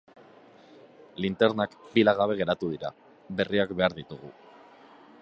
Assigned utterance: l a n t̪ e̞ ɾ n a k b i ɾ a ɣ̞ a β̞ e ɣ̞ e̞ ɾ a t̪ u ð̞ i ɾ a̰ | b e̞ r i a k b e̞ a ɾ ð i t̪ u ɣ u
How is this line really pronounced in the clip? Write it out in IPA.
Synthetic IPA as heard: l i n t̪ e̞ ɾ n a k b i l a ɣ̞ a β̞ e ɣ̞ e̞ ɾ a t̪ u ð̞ i ɾ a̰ | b e̞ r i a k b e̞ a ɾ ð i t̪ u ɣ u